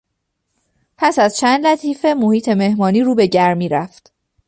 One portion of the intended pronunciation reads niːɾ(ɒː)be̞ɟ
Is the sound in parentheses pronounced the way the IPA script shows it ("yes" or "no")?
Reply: no